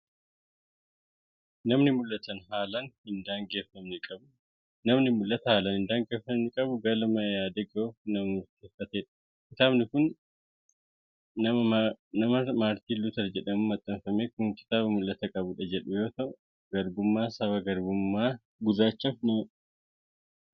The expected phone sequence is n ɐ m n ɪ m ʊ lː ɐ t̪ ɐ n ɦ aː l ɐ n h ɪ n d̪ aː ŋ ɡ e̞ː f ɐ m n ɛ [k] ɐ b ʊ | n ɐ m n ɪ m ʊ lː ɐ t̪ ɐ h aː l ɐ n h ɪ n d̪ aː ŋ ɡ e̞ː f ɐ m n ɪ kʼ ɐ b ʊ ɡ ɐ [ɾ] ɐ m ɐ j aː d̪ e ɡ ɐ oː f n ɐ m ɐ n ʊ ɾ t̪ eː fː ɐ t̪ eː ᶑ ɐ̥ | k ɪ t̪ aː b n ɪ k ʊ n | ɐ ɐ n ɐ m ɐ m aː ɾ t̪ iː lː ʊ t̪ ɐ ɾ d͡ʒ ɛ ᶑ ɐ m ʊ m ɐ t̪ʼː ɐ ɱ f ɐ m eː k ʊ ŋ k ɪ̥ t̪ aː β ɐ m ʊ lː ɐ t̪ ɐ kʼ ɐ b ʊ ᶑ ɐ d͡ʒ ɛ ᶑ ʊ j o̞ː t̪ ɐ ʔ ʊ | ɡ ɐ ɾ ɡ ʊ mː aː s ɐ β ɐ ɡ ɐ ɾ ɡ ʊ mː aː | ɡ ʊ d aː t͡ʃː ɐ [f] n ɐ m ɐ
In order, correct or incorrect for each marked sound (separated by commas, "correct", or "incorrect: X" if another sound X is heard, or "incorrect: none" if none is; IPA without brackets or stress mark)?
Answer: incorrect: kʼ, incorrect: l, correct